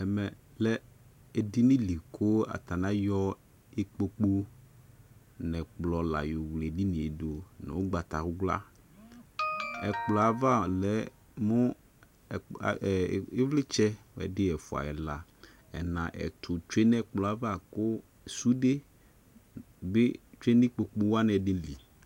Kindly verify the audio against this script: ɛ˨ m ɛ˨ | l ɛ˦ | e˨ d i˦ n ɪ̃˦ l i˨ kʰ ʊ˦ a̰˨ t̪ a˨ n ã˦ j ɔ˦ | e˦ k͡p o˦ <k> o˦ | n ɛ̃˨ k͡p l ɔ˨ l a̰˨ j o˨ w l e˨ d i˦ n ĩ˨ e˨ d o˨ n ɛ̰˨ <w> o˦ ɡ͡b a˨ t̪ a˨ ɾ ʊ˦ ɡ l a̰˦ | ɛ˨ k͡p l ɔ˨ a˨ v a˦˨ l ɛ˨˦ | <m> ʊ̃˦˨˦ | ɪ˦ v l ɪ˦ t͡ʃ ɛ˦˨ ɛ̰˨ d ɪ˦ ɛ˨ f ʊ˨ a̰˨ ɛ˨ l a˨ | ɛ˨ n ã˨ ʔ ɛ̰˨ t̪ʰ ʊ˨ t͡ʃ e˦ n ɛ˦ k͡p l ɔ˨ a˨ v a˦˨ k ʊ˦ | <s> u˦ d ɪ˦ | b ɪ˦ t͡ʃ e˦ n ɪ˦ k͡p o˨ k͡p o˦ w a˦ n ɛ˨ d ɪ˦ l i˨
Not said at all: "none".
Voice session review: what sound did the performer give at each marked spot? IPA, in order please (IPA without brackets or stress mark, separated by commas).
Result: k͡p, w, m, s